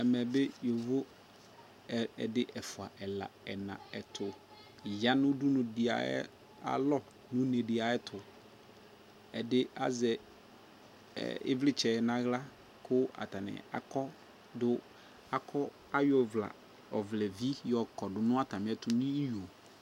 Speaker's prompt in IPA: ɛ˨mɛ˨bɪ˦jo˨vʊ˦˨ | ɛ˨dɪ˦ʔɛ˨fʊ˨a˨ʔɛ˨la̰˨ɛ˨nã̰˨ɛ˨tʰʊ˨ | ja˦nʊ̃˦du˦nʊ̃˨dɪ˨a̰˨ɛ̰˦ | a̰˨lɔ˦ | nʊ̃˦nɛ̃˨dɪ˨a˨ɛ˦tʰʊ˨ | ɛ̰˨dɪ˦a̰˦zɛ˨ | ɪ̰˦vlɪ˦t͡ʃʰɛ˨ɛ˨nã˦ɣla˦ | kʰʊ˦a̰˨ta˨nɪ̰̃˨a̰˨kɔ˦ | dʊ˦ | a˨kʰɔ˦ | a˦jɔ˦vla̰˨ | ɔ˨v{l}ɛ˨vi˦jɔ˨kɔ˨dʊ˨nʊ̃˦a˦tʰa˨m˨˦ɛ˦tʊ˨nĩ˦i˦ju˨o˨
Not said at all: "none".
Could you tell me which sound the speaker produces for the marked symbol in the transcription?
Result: l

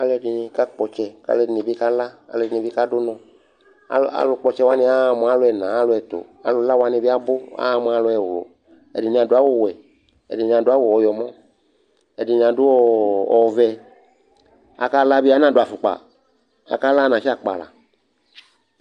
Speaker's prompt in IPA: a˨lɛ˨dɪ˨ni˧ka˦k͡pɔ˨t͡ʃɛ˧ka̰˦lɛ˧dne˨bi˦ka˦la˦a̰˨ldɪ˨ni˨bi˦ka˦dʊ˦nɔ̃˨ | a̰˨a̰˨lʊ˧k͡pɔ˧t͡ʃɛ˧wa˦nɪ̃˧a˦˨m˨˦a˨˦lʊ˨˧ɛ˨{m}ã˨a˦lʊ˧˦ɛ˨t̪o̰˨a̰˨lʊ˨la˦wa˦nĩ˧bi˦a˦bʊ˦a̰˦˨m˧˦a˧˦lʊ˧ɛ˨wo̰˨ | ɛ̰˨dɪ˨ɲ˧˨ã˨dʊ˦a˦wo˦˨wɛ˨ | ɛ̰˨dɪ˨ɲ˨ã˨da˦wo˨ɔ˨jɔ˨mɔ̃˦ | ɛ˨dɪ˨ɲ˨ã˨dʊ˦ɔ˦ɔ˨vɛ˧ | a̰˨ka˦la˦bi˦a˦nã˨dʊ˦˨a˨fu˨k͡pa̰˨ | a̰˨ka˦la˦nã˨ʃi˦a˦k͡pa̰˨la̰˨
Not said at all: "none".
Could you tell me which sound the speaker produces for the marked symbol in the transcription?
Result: n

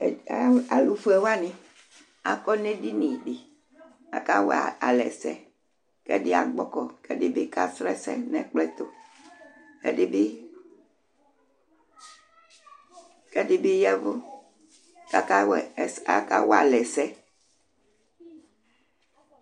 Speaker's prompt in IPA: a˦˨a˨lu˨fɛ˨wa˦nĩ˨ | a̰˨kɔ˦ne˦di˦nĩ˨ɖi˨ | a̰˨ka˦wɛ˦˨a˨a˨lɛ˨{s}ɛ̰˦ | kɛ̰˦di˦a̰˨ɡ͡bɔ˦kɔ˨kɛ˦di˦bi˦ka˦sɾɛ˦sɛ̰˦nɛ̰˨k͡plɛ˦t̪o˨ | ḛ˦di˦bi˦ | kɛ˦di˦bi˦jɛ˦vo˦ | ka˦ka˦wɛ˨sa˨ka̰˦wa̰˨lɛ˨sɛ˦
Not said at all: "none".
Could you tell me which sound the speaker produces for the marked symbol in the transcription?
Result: s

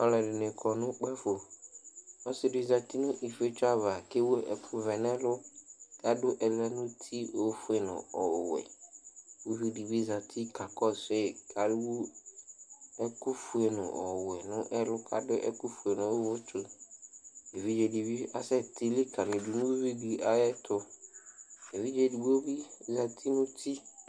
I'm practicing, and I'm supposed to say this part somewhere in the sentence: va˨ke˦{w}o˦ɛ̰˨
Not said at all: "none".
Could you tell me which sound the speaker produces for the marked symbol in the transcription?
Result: w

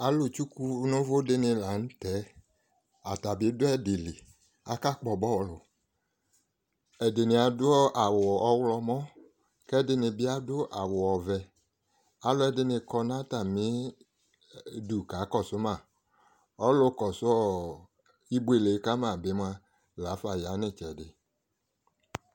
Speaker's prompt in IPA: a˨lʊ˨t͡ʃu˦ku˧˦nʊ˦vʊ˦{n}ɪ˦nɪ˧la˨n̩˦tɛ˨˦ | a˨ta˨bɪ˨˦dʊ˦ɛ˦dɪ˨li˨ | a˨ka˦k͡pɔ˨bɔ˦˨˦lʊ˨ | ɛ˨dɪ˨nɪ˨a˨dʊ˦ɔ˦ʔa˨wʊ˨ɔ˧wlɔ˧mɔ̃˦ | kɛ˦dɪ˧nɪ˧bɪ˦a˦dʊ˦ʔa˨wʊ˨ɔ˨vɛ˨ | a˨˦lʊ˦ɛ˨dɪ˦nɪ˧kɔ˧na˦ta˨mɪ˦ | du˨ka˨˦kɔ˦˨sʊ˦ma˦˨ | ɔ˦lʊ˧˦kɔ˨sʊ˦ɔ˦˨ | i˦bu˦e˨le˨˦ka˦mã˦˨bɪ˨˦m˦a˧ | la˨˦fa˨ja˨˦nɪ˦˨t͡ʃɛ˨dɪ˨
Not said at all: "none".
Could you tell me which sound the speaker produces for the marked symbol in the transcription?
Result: d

